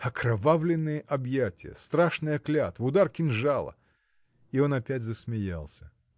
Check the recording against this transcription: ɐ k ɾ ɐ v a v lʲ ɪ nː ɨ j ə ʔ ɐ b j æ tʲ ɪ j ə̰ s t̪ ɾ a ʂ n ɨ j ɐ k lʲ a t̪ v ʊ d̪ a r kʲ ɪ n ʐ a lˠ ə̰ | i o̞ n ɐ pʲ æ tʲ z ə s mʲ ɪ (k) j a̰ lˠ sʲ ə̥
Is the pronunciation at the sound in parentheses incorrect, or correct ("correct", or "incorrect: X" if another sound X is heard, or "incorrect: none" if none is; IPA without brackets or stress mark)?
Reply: incorrect: none